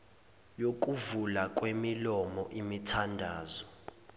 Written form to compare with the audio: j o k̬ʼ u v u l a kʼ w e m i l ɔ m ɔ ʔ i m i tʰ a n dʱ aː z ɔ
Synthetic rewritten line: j o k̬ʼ u v u l a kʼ w e m i l ɔ m ɔ ʔ i m i tʰ a n dʱ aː z ɔ